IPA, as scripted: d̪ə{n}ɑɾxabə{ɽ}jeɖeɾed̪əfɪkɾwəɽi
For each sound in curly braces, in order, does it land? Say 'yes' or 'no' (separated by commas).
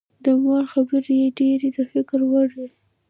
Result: no, no